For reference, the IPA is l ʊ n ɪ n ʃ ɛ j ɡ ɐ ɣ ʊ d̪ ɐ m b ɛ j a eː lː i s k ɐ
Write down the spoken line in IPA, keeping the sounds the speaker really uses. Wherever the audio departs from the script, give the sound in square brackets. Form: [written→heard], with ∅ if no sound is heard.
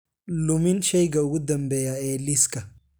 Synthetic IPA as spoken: l ʊ [n→m] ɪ n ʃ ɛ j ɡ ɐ [ɣ→w] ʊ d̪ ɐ m b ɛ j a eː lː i s k ɐ